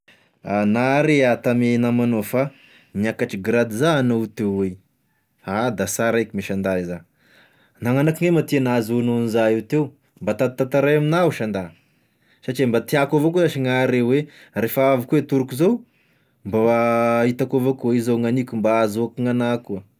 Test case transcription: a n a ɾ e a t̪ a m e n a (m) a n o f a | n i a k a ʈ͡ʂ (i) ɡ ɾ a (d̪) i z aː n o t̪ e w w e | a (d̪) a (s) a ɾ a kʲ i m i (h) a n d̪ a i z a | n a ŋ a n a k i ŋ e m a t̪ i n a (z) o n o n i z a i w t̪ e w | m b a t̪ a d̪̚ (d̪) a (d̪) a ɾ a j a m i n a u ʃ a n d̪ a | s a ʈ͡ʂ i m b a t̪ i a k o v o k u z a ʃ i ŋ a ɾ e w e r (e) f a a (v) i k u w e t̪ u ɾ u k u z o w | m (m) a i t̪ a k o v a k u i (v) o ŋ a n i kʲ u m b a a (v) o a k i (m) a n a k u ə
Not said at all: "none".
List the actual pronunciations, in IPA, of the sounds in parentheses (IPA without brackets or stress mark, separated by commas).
m, i, d̪, d̪, s, ʃ, z, t̪, t̪, e, v, b, z, z, ŋ